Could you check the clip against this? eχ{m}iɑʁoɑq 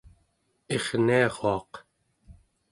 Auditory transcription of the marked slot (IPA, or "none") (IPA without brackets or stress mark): n